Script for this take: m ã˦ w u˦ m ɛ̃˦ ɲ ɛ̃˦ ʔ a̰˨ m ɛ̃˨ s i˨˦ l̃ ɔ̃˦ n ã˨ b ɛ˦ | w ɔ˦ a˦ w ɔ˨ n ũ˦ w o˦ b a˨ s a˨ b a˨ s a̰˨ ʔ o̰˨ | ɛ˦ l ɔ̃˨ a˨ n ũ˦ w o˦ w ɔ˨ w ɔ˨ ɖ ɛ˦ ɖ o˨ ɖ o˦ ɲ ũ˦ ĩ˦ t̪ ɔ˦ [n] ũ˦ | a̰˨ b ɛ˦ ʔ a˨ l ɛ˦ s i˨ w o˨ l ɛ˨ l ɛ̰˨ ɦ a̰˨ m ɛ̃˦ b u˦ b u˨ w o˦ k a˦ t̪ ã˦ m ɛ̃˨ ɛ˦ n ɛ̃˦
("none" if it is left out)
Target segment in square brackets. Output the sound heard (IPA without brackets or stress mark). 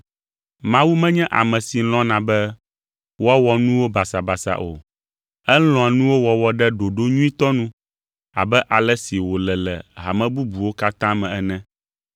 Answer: n